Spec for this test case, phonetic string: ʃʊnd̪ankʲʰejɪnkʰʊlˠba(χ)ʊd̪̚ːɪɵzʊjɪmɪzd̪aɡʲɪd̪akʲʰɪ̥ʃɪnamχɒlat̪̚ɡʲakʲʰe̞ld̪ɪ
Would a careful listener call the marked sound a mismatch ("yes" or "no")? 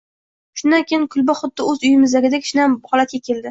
no